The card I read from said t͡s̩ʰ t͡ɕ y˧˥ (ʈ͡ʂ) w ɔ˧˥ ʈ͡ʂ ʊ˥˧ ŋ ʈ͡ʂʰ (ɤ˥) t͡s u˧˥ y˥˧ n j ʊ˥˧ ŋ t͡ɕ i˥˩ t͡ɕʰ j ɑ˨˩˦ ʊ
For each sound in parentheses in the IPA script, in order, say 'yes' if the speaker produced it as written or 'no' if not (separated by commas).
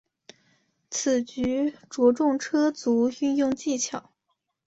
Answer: yes, yes